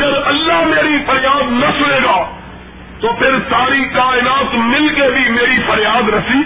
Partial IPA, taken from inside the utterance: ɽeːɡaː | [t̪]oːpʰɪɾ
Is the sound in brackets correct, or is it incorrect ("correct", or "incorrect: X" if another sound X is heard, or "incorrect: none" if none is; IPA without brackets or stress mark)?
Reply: correct